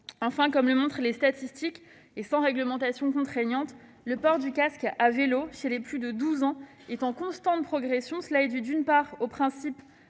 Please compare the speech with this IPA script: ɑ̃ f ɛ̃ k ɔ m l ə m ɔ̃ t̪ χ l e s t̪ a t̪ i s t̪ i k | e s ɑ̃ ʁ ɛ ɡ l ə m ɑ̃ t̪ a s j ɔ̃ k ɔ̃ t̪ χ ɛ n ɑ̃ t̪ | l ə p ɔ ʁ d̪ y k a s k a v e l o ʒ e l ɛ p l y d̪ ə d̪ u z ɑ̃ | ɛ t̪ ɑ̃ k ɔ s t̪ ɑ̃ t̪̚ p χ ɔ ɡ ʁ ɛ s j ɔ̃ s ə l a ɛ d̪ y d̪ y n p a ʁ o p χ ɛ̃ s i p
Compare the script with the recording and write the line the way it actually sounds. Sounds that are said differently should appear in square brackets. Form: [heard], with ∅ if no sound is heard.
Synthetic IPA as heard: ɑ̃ f ɛ̃ k ɔ m l ə m ɔ̃ t̪ χ l e s t̪ a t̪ i s t̪ i k | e s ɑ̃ ʁ ɛ ɡ l ə m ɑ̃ t̪ a s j ɔ̃ k ɔ̃ t̪ χ ɛ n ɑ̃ t̪ | l ə p ɔ ʁ d̪ y k a s k a v e l o [ʃ] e l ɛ p l y d̪ ə d̪ u z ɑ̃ | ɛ t̪ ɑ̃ k [ɔ̃] s t̪ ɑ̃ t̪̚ p χ ɔ ɡ ʁ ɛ s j ɔ̃ s ə l a ɛ d̪ y d̪ y n p a ʁ o p χ ɛ̃ s i p